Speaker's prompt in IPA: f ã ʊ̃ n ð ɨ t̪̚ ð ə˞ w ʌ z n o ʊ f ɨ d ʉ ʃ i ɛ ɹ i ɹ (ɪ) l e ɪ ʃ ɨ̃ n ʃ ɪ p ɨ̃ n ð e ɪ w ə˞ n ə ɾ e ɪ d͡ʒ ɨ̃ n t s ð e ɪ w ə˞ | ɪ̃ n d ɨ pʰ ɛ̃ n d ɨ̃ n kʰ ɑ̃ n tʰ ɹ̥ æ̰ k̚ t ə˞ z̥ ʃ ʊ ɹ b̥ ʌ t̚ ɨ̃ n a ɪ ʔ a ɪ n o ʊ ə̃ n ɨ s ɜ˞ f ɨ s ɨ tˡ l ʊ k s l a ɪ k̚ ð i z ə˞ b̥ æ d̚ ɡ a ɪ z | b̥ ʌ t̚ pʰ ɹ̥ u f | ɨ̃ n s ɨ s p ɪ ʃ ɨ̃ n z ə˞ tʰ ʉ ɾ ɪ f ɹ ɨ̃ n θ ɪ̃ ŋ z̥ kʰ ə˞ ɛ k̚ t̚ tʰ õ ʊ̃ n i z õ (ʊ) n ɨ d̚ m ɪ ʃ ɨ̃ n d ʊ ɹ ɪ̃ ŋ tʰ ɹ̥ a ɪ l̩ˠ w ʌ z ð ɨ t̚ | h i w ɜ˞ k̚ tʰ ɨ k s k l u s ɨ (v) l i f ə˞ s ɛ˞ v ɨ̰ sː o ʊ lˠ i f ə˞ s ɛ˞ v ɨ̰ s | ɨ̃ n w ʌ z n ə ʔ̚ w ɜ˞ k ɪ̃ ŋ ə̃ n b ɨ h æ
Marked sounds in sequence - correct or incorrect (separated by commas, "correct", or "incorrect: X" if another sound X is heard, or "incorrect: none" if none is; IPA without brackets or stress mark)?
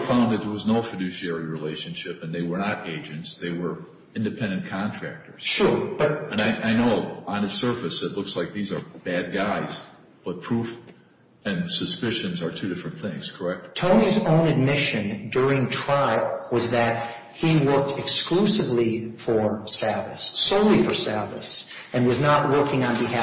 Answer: incorrect: i, incorrect: ʊ̃, correct